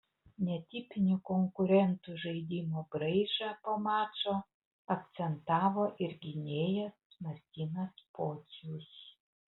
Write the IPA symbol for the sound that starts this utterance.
nʲ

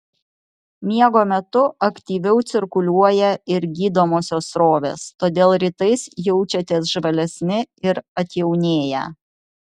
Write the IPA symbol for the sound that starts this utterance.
mʲ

